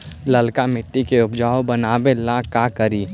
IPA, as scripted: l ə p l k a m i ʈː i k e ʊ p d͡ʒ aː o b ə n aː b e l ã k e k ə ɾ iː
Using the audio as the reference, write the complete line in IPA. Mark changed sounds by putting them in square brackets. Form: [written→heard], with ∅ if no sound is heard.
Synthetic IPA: l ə [p→∅] l k a m [i→ɪ] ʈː i k e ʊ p d͡ʒ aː o b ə n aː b e l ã k [e→a] k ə ɾ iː